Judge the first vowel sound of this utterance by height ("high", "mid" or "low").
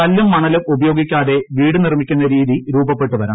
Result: low